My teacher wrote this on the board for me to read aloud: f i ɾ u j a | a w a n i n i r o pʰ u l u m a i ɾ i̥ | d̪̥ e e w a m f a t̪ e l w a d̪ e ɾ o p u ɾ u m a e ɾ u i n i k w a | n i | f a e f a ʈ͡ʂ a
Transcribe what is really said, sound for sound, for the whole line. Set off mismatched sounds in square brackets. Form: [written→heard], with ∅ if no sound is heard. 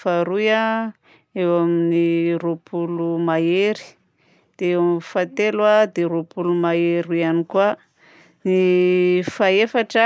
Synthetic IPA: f [i→a] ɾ u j a | [a→e] w a [n→m] i n i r o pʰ u l u m a [i→e] ɾ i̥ | d̪̥ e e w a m f a t̪ e l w a d̪ e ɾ o p u [ɾ→l] u m a e ɾ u [i→a] n i k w a | n i | f a e f a ʈ͡ʂ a

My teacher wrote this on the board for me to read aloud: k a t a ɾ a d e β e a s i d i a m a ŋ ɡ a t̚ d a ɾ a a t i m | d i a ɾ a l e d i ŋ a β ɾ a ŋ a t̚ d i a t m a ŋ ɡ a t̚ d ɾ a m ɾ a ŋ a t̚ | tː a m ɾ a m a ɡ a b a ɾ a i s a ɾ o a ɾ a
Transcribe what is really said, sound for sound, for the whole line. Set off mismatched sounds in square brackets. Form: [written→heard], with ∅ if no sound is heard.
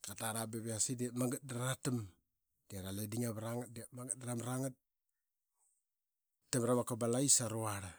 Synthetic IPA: k a t a ɾ a [d→b] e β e a s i d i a m a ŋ ɡ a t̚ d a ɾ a a t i m | d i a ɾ a l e d i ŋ a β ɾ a ŋ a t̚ d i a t m a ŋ ɡ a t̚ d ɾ a m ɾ a ŋ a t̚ | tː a m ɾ a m a [ɡ→k] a b a [ɾ→l] a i s a ɾ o a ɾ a

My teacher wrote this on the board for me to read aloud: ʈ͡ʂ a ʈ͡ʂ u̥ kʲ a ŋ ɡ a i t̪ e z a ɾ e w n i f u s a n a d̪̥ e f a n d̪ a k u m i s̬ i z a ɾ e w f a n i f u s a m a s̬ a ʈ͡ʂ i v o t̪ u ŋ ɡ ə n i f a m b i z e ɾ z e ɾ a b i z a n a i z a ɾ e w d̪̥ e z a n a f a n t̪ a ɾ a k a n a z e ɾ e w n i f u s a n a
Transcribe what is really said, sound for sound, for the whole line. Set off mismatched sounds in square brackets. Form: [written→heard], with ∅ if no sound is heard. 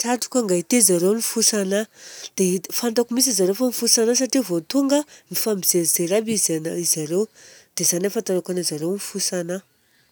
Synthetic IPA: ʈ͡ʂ a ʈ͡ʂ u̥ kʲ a ŋ ɡ a i t̪ e z a ɾ e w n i f u s a n a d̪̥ e f a n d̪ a k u m i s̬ i z a ɾ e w f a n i f u s a [m→n] a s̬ a ʈ͡ʂ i v o t̪ u ŋ ɡ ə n i f a m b i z e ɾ z e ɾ a b i z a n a i z a ɾ e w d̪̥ e z a n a f a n t̪ a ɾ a k a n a z [e→a] ɾ e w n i f u s a n a

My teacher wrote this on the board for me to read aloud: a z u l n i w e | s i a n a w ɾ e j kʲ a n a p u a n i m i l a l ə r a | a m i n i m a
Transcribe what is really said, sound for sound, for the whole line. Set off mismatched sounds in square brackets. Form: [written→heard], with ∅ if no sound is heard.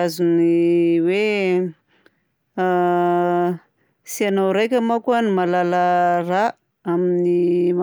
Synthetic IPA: a z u [l→∅] n i w e | s i a n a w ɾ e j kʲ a [n→m] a [p→k] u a n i m [i→a] l a l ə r a | a m i n i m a

